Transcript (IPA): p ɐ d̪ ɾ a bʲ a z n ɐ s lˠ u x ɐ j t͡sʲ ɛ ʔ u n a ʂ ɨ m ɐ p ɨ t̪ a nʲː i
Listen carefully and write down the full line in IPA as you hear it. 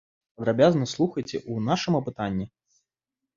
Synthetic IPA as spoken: p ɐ d̪ ɾ a bʲ a z n ɐ s lˠ u x ɐ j t͡sʲ ɛ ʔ u n a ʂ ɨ m ɐ p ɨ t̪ a nʲː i